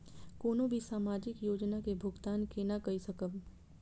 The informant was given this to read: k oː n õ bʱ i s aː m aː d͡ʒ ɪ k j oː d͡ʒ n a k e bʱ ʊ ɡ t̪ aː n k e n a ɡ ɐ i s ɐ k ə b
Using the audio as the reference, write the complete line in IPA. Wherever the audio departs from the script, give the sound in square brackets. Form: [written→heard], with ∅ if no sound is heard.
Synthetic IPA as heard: k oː n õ bʱ i s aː m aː d͡ʒ ɪ k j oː d͡ʒ n a k e bʱ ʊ ɡ t̪ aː n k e n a [ɡ→k] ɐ i s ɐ k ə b